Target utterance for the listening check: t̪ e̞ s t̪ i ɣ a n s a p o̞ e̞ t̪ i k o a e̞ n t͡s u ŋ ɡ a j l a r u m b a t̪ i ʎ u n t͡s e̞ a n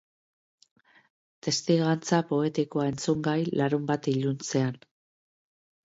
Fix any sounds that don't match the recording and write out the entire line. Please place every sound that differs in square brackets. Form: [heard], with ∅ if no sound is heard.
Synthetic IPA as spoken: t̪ e̞ s t̪ i ɣ a n [t͡s] a p o̞ e̞ t̪ i k o a e̞ n t͡s u ŋ ɡ a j l a [ɾ] u m b a t̪ i ʎ u n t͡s e̞ a n